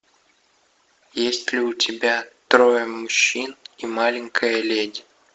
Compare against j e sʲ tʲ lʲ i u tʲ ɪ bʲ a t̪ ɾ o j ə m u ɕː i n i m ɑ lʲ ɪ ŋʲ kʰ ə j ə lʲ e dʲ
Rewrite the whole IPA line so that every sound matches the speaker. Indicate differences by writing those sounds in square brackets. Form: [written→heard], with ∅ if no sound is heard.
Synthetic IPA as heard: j e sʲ tʲ lʲ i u tʲ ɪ bʲ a t̪ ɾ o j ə m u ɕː i n i m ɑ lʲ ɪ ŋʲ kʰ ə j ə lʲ e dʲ